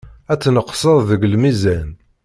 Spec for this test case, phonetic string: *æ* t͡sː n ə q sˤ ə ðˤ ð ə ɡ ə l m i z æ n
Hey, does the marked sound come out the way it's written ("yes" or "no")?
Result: yes